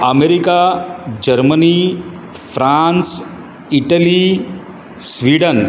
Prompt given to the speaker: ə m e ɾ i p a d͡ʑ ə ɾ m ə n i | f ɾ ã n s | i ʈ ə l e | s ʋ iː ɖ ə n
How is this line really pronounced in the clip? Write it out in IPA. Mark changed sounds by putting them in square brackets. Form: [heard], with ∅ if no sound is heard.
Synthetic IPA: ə m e ɾ i [k] a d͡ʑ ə ɾ m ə n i | f ɾ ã n s | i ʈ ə l [i] | s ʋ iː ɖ ə n